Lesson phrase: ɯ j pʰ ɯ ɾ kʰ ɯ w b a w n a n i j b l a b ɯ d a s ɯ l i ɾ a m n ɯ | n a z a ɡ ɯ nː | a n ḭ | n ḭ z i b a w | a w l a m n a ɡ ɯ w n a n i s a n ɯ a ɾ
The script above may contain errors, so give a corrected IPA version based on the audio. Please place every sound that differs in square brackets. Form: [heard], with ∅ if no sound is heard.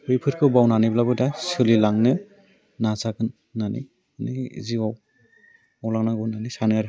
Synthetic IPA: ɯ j pʰ ɯ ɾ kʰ ɯ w b a w n a n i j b l a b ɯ d a s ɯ l i [l] a [ŋ] n ɯ | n a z a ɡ ɯ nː | a n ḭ | n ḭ z i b a w | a w l a [ŋ] n a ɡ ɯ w n a n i s a n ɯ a ɾ